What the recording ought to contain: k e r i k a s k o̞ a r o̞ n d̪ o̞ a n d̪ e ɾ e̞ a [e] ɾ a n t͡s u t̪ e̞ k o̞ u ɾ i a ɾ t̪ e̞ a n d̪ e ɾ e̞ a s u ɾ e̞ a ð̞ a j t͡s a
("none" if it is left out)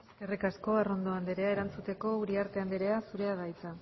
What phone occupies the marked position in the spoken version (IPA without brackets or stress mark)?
e